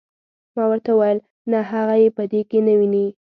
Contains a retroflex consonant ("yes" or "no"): no